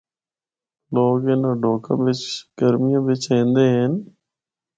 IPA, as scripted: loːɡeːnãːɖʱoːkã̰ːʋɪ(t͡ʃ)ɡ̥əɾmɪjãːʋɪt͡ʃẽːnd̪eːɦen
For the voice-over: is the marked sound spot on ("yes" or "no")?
yes